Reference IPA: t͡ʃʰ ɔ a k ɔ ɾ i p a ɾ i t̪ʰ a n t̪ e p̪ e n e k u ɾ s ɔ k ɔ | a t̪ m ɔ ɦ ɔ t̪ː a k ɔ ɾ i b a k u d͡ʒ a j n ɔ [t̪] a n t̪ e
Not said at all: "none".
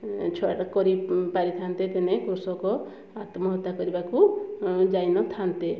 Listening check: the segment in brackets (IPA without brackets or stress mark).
t̪ʰ